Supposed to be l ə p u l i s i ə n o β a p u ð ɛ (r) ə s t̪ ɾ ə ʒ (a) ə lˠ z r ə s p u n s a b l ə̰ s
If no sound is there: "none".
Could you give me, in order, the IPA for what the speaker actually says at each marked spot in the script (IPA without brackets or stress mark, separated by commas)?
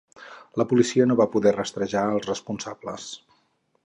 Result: r, a